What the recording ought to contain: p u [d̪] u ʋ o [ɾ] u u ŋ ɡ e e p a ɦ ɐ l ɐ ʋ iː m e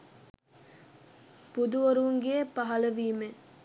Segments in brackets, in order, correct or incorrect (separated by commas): correct, correct